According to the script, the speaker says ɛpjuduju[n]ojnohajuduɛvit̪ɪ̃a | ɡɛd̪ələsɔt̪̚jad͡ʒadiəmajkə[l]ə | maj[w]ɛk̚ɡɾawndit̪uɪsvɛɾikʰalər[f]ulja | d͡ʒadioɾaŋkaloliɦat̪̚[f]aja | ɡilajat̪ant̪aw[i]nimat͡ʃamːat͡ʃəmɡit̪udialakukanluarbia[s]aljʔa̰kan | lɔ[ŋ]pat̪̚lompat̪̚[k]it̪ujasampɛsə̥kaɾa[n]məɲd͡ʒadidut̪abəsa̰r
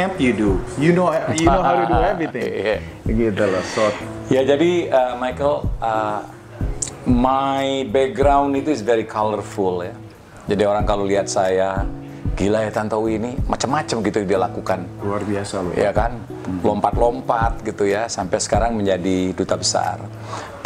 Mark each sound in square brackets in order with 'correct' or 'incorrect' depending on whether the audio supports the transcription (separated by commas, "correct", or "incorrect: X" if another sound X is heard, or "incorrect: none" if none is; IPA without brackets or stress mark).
correct, correct, incorrect: b, correct, incorrect: s, correct, correct, incorrect: m, incorrect: ɡ, incorrect: ŋ